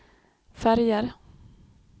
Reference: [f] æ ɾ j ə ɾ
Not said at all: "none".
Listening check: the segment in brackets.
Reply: f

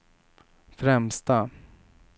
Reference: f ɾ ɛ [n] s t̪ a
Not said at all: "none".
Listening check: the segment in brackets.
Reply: m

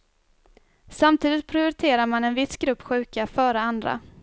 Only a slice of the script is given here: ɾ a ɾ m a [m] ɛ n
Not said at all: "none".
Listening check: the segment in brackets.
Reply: n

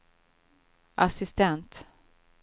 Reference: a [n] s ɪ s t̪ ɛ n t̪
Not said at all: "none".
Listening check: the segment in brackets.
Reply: none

